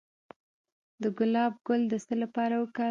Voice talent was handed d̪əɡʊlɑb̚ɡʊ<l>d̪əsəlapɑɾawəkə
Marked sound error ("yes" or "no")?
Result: no